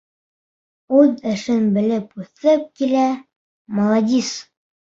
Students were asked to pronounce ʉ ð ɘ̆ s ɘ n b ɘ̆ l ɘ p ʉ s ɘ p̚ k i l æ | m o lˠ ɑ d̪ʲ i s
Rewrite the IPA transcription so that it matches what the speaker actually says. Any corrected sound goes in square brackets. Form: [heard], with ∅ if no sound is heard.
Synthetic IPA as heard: ʉ ð ɘ̆ [ʃ] ɘ n b ɘ̆ l ɘ p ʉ [θ] ɘ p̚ k i l æ | m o lˠ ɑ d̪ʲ i s